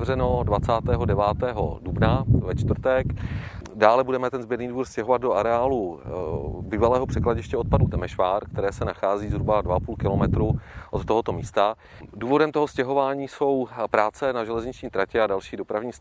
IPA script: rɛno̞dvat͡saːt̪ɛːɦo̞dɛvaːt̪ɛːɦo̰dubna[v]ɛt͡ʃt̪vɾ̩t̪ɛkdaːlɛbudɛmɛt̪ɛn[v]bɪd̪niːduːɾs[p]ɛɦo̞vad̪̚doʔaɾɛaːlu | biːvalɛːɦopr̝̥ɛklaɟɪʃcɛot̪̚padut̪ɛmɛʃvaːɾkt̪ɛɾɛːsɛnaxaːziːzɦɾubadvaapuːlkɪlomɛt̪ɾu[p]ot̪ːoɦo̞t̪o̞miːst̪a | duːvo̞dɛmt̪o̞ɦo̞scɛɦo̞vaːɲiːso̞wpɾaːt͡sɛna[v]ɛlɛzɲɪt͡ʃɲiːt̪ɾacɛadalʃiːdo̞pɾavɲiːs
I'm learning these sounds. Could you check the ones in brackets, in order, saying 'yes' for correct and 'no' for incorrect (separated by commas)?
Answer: yes, no, no, no, no